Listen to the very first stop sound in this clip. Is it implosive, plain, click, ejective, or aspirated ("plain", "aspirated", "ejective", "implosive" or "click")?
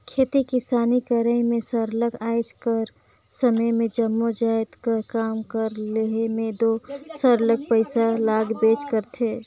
aspirated